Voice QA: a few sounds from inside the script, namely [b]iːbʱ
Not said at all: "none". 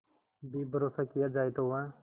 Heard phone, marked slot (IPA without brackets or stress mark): b